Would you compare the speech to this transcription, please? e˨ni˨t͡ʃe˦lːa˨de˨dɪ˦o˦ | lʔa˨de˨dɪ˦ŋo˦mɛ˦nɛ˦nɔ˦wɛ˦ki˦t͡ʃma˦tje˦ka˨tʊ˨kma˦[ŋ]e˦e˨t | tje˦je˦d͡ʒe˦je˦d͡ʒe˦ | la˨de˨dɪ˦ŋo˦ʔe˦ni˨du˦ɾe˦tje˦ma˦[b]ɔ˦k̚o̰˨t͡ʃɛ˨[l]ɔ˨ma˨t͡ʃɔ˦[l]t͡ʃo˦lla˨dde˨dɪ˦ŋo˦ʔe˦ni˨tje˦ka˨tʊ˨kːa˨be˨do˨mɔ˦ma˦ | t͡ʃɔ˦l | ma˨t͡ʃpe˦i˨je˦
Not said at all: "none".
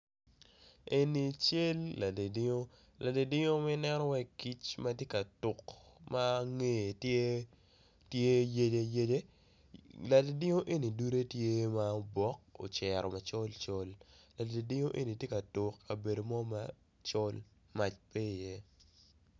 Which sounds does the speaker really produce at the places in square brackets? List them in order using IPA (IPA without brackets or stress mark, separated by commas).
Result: ŋ, b, ɾ, l